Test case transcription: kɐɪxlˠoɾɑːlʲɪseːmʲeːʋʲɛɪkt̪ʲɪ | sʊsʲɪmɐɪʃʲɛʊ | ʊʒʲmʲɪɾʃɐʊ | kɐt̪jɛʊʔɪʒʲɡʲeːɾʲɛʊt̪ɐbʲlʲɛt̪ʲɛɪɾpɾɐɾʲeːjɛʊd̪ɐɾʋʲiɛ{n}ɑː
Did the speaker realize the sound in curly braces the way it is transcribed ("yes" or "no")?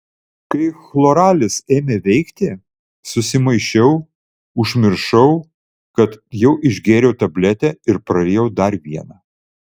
yes